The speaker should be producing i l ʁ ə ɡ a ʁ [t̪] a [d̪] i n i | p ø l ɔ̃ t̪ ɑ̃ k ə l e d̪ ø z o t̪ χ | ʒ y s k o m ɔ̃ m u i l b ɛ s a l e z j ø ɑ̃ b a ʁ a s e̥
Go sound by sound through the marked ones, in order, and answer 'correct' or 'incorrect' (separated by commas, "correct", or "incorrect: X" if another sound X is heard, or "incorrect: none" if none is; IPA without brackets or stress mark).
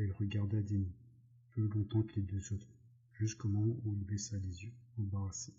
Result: incorrect: d̪, correct